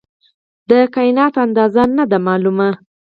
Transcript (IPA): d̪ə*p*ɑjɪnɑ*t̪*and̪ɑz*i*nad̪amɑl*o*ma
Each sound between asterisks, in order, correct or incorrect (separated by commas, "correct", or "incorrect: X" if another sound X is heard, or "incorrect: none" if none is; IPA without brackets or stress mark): incorrect: k, correct, incorrect: a, incorrect: u